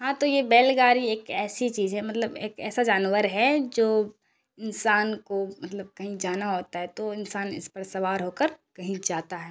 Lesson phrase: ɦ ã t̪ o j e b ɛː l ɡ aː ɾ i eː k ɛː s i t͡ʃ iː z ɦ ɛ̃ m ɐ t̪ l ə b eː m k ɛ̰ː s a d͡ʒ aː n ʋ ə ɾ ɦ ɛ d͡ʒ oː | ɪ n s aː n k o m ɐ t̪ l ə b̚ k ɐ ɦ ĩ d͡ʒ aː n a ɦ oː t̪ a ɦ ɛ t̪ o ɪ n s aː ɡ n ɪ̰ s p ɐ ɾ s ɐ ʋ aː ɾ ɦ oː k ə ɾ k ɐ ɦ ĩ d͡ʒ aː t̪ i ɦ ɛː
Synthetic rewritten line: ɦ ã t̪ o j e b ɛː l ɡ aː ɾ i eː k ɛː s i t͡ʃ iː z ɦ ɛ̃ m ɐ t̪ l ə b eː k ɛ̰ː s a d͡ʒ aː n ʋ ə ɾ ɦ ɛ d͡ʒ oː | ɪ n s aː n k o m ɐ t̪ l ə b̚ k ɐ ɦ ĩ d͡ʒ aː n a ɦ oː t̪ a ɦ ɛ t̪ o ɪ n s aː n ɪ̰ s p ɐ ɾ s ɐ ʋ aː ɾ ɦ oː k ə ɾ k ɐ ɦ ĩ d͡ʒ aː t̪ a ɦ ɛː